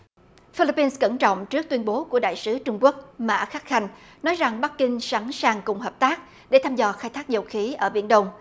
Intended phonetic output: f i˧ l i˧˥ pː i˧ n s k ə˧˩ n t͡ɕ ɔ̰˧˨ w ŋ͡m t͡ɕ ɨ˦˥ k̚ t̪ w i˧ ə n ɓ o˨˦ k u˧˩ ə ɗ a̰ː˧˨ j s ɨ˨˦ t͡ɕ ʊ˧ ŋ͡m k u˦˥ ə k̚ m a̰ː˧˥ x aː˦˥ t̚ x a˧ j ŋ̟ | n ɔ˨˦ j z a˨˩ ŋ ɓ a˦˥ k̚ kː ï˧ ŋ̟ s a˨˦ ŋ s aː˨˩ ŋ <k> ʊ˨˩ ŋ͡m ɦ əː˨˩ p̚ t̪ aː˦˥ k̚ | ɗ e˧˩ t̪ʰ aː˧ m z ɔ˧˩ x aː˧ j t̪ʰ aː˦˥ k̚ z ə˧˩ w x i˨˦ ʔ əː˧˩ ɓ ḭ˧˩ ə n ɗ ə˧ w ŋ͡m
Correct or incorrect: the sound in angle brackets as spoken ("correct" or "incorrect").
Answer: correct